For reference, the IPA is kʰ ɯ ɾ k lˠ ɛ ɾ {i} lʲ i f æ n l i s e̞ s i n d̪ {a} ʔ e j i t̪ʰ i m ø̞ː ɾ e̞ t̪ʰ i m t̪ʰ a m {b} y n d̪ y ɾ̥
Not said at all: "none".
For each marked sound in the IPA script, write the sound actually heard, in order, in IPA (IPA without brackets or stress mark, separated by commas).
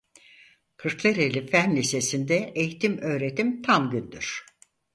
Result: e, ɛ, ɟ